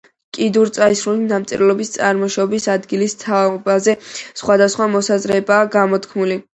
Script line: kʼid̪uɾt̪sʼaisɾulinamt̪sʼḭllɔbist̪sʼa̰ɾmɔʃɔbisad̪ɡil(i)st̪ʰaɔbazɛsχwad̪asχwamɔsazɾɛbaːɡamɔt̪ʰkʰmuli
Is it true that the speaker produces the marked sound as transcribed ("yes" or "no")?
yes